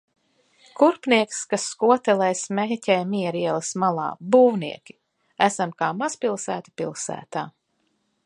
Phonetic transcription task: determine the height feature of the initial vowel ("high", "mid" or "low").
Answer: high